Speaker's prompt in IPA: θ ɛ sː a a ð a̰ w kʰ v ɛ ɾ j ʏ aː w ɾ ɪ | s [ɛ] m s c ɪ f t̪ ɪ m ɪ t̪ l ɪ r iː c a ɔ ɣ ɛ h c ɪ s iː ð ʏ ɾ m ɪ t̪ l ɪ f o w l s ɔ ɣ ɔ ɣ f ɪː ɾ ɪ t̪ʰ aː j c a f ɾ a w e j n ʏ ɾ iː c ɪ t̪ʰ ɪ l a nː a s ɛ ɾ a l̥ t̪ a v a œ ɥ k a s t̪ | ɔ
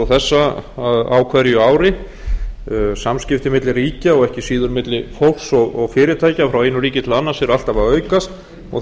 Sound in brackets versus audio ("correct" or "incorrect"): incorrect